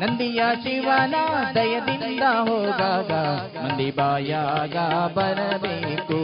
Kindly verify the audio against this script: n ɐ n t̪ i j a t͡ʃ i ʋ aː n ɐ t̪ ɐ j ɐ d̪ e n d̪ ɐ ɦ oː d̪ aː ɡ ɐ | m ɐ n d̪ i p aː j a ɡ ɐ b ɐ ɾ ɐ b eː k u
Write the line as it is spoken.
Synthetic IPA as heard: n ɐ n d̪ i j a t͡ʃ i ʋ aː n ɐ d̪ ɐ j ɐ d̪ i n d̪ ɐ ɦ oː d̪ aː ɡ ɐ | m ɐ n d̪ i b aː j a ɡ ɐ b ɐ ɾ ɐ b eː k u